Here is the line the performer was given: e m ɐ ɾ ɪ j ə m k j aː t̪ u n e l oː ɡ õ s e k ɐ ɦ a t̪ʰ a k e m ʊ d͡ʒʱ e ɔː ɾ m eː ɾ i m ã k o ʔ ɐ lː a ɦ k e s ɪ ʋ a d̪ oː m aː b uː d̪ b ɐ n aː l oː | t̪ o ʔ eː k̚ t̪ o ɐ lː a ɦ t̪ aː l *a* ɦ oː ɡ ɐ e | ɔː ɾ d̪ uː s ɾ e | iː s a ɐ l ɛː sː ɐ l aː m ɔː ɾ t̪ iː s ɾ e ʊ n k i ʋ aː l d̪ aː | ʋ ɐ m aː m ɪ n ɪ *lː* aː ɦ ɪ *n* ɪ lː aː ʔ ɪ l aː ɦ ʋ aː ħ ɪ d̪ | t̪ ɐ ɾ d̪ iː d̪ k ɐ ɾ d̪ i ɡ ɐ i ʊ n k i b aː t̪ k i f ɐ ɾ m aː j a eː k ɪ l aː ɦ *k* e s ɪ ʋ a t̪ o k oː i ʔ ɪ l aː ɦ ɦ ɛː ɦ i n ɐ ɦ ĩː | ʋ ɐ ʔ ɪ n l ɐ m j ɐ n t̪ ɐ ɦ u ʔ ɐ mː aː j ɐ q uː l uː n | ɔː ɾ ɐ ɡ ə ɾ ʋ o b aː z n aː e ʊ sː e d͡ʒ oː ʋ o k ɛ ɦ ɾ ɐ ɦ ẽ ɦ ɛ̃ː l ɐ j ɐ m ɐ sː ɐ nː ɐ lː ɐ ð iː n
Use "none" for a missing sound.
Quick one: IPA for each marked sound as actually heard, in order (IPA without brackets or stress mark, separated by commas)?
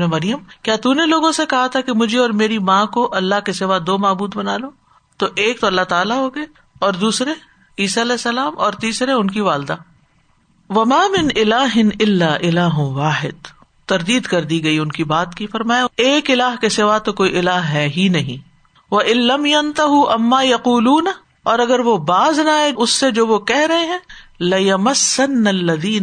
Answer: a, l, n, k